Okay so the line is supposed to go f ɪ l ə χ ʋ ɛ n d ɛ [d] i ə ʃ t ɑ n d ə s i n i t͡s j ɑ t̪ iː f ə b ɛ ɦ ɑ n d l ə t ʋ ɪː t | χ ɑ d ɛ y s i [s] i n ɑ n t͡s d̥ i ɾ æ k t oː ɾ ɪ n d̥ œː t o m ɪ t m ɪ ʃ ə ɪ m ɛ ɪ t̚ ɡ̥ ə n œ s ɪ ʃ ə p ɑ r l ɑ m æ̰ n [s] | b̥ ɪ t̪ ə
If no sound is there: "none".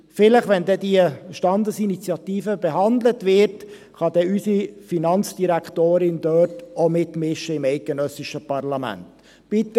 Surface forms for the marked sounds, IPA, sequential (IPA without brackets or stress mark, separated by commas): d, f, t